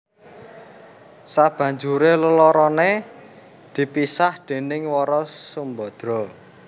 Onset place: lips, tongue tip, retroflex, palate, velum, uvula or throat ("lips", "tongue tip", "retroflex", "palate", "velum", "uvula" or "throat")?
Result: tongue tip